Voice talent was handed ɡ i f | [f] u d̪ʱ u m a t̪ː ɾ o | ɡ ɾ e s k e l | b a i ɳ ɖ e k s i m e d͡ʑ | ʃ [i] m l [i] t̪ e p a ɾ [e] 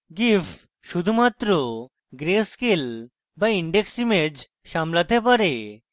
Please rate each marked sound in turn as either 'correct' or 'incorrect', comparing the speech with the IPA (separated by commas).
incorrect, incorrect, incorrect, correct